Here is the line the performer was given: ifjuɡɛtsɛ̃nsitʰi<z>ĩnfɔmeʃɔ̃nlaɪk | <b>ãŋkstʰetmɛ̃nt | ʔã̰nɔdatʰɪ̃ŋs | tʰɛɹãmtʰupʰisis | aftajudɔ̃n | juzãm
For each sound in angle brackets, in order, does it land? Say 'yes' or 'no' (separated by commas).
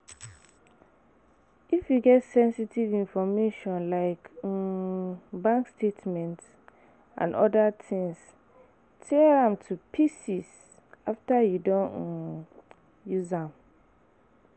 no, yes